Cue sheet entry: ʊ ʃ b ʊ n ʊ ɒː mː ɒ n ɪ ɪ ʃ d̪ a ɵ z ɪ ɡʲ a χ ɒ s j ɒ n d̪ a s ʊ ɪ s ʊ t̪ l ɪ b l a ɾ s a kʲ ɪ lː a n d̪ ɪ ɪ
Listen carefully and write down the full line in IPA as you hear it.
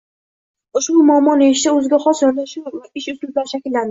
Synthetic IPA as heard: ʊ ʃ b ʊ m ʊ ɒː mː ɒ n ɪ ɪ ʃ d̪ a ɵ z ɪ ɡʲ a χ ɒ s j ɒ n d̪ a ʃ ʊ ɪ ʃ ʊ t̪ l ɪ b l a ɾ ʃ a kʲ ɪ lː a n d̪ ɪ ɪ